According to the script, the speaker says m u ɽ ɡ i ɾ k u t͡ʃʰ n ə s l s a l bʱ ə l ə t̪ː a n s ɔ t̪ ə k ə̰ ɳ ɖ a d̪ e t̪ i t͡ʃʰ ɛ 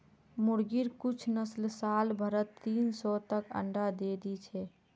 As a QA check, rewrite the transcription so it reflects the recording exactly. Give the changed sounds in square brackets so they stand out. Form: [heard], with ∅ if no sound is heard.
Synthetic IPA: m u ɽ ɡ i ɾ k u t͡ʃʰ n ə s l s a l bʱ ə [ɾ] ə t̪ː [i] n s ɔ t̪ ə k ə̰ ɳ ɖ a d̪ e [d̪] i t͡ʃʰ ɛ